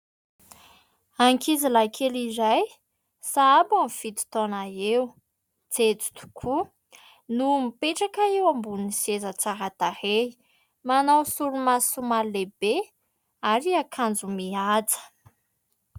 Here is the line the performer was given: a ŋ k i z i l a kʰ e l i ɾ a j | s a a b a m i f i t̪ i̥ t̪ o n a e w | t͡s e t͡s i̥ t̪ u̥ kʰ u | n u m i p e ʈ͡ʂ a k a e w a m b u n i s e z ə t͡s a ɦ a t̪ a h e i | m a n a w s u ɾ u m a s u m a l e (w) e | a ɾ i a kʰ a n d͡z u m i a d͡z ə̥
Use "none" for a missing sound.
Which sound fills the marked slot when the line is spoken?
b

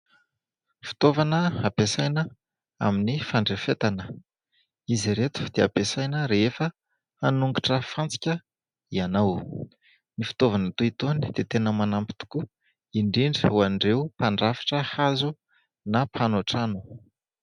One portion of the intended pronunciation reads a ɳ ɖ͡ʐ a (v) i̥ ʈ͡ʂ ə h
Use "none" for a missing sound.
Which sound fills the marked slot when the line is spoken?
f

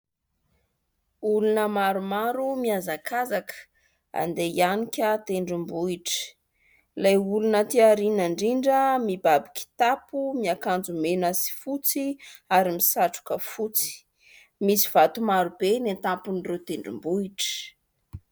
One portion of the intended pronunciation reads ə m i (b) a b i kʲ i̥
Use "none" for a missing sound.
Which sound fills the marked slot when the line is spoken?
b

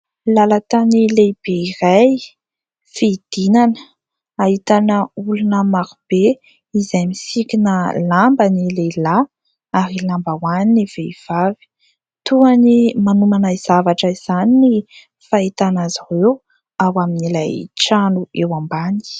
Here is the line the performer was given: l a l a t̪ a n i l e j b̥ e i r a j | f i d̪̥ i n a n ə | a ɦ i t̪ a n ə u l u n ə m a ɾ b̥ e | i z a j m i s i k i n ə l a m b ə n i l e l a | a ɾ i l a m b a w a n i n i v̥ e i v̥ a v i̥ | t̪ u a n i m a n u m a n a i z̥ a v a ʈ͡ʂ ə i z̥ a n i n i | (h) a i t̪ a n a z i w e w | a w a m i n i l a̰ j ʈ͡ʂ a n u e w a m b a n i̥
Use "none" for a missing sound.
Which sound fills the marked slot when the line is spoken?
f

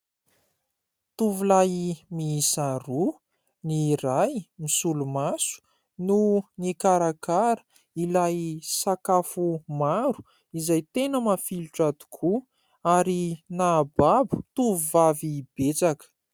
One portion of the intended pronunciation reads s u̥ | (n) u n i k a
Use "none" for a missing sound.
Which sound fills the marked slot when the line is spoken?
n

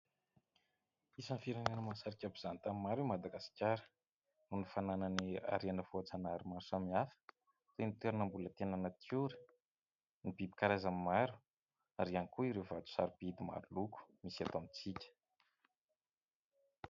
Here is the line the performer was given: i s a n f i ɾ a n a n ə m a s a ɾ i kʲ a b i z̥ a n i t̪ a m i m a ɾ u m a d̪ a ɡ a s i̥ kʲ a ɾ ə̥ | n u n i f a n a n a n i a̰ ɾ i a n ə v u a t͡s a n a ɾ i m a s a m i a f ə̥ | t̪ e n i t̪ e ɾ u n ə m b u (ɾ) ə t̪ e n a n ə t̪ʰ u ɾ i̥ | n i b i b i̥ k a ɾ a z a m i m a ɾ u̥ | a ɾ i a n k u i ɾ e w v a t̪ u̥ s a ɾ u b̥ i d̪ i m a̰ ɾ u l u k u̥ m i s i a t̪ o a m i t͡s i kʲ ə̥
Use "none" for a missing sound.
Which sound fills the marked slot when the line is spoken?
l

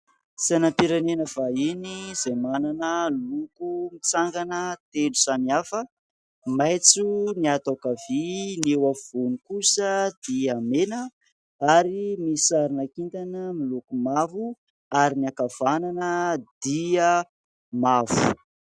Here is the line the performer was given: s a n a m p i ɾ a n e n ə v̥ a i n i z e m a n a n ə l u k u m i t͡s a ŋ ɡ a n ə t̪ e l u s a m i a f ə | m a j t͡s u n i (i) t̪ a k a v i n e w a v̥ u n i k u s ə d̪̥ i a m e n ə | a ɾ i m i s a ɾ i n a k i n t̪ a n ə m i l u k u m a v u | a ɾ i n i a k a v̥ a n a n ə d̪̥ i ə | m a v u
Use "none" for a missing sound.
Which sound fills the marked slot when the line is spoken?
a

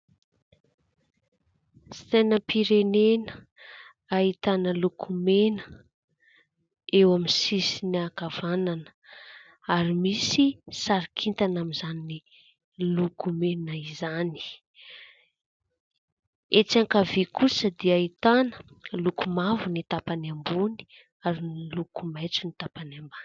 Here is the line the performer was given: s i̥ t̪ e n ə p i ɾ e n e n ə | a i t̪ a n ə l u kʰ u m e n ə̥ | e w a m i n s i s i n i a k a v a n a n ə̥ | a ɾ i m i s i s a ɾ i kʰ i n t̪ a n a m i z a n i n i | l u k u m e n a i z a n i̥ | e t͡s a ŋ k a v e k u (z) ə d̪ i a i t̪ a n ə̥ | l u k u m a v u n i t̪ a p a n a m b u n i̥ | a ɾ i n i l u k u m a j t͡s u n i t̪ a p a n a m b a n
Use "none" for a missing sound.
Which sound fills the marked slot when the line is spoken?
s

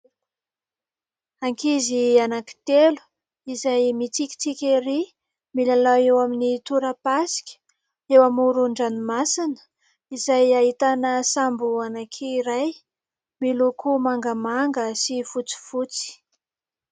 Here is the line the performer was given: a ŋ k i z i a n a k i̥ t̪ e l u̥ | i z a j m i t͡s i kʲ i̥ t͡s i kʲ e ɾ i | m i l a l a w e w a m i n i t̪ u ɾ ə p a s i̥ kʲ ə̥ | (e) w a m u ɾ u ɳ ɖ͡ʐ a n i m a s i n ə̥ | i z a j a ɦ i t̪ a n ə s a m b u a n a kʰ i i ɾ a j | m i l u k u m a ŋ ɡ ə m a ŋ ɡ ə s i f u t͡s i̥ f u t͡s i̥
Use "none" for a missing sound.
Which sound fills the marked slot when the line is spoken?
e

